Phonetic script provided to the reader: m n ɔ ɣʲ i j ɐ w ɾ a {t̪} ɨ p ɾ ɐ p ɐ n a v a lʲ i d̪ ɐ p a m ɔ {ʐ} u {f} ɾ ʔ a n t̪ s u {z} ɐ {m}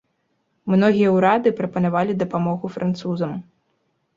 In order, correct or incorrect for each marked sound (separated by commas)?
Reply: incorrect, incorrect, correct, correct, correct